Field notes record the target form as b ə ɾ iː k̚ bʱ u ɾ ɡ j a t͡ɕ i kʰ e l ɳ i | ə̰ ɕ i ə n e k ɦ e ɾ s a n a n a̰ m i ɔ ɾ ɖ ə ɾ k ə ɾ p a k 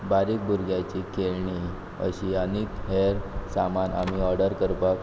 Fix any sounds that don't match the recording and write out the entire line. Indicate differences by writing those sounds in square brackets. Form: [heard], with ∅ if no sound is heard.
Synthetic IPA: b [a] ɾ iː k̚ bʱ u ɾ ɡ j a t͡ɕ i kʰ e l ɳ i | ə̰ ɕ i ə n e k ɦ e ɾ s a [m] a n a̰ m i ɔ ɾ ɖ ə ɾ k ə ɾ p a k